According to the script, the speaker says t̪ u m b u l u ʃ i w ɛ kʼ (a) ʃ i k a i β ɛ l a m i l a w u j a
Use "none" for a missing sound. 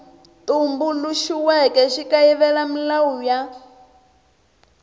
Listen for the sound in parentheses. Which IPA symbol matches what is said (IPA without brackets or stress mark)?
ɛ